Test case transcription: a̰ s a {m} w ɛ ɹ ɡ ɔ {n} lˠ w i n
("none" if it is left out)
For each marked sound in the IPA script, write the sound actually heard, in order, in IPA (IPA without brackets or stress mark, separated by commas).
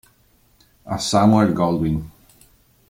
m, none